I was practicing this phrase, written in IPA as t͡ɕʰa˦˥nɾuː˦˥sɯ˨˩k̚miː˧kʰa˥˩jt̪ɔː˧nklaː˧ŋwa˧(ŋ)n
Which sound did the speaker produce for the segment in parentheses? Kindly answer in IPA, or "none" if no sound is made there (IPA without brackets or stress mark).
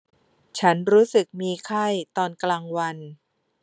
none